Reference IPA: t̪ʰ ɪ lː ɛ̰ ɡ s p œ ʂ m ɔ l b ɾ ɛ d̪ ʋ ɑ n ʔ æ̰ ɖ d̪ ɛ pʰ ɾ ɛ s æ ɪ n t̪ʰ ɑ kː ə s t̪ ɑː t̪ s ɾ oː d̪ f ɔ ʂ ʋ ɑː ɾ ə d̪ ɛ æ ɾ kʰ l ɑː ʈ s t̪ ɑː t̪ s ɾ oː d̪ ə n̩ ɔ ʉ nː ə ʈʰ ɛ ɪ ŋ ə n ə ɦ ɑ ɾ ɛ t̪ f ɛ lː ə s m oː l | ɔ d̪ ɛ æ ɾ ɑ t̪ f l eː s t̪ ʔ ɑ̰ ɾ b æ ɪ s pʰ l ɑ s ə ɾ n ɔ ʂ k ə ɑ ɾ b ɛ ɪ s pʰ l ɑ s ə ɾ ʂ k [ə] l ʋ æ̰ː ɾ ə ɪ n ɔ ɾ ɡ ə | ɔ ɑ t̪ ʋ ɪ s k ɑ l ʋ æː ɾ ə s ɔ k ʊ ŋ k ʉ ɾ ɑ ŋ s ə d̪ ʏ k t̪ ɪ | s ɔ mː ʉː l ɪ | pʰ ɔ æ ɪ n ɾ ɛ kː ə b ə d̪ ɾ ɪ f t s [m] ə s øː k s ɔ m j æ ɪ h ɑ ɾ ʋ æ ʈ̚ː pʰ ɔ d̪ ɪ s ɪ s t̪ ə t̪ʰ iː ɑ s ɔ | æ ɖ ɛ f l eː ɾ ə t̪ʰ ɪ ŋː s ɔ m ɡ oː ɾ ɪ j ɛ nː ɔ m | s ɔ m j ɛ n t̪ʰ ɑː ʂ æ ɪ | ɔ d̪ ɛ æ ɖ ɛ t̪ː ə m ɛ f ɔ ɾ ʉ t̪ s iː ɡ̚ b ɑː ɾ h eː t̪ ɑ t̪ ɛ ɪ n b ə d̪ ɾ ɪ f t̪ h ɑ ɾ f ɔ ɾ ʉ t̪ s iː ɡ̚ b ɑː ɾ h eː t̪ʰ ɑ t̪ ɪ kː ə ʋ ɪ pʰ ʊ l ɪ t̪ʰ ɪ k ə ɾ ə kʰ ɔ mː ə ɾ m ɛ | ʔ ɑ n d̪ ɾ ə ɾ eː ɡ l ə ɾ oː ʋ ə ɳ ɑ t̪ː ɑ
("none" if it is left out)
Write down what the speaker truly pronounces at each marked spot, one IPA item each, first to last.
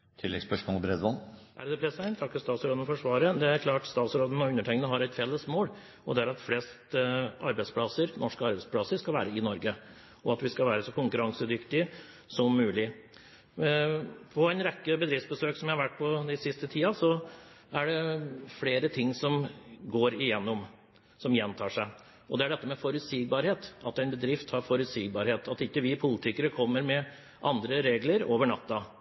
ɑ, b

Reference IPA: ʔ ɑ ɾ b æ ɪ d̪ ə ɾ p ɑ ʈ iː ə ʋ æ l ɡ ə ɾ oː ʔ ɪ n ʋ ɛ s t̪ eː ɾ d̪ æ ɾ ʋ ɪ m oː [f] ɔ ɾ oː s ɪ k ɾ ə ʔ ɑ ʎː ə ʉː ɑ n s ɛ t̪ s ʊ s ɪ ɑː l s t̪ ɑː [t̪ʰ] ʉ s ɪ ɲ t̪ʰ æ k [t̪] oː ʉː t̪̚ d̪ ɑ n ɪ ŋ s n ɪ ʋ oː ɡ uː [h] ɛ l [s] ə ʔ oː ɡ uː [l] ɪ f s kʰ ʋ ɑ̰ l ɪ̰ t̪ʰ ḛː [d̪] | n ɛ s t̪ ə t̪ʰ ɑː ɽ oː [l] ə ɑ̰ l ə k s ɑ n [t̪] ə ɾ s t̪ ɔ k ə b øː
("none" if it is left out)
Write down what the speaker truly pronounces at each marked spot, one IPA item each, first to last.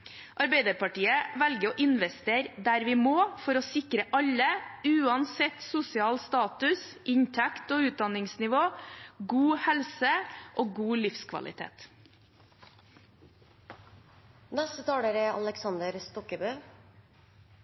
f, t̪, t̪, h, s, l, t̪, ɾ, d̪

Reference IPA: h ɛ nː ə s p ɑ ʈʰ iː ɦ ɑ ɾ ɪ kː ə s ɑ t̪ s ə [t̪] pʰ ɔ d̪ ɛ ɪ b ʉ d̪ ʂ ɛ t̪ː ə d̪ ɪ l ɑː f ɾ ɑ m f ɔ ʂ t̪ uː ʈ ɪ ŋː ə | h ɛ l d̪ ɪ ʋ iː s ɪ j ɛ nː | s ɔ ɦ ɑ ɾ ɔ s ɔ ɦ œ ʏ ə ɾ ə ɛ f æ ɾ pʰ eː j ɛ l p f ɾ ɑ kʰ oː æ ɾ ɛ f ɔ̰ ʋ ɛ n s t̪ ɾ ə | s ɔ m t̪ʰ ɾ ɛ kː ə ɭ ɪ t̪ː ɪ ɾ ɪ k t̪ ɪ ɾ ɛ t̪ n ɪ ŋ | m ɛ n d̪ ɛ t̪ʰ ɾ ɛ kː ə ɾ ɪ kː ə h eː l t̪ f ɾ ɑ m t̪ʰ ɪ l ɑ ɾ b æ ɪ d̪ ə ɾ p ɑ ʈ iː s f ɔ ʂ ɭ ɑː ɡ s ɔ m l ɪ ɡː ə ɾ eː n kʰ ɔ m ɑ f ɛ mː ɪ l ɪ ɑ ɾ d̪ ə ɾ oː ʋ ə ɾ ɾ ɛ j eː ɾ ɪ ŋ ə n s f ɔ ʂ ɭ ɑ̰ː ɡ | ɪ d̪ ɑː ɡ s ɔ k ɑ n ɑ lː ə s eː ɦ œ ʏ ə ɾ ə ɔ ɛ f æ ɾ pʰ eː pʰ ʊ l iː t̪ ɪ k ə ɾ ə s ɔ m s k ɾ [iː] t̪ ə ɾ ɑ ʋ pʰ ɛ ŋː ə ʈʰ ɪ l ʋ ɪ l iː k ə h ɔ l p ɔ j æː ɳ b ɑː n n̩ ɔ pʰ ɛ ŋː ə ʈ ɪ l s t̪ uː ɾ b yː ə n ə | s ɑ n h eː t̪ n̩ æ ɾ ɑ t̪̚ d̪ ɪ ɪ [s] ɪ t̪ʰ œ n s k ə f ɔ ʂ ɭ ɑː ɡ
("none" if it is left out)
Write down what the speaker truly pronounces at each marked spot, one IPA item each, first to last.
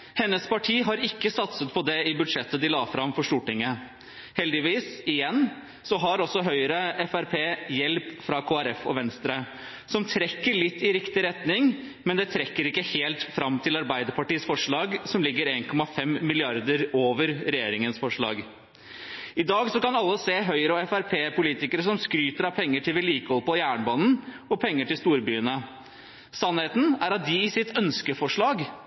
t̪, yː, s

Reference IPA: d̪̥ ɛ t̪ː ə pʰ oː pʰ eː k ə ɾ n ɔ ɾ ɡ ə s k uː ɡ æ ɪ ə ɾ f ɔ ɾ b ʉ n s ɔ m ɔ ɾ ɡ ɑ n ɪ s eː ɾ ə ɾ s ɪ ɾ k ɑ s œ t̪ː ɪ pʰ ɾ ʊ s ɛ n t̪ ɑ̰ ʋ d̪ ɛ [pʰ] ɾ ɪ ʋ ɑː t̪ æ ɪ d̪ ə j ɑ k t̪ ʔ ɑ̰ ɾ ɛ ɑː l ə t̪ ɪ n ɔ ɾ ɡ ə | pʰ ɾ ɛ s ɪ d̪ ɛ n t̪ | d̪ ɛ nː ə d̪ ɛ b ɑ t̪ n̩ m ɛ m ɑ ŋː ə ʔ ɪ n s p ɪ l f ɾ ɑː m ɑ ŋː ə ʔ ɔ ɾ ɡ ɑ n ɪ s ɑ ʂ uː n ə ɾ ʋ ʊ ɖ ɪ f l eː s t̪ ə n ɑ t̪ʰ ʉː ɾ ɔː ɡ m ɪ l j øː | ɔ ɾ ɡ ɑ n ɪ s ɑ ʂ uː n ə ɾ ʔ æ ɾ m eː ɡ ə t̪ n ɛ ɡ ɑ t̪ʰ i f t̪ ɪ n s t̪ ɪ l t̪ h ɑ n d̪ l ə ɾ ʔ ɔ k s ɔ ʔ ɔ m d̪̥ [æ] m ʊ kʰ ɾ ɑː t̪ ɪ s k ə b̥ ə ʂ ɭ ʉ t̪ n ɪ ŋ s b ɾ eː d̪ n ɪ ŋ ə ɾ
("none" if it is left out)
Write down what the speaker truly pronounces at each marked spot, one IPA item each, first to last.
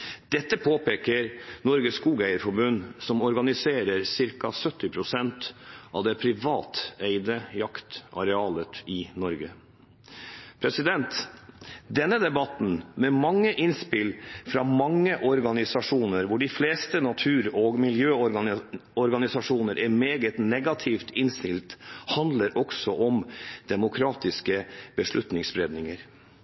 pʰ, ɛ

